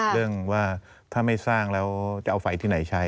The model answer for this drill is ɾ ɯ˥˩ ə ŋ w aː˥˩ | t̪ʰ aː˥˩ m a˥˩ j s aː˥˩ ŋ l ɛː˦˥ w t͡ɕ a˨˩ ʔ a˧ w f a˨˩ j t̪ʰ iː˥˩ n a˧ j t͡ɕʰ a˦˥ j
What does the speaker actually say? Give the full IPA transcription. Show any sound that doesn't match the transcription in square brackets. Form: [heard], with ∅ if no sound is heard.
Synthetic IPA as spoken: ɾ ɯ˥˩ ə ŋ w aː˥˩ | t̪ʰ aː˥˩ m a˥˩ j s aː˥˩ ŋ l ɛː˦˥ w t͡ɕ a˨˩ ʔ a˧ w f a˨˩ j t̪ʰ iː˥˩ n [a˩˦] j t͡ɕʰ a˦˥ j